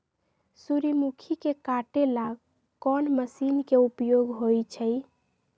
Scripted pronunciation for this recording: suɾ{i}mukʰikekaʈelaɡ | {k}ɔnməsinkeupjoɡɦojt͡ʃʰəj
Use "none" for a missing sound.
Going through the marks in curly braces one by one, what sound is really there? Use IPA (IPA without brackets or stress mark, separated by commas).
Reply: i, k